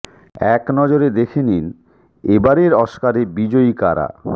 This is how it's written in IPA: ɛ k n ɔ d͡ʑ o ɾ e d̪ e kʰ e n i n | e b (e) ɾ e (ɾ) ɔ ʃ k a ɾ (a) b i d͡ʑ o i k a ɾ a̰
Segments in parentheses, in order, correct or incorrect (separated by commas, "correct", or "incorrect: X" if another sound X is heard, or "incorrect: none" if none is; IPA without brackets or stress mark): incorrect: a, correct, incorrect: e